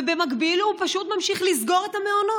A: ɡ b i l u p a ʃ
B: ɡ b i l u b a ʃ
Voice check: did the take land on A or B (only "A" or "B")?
A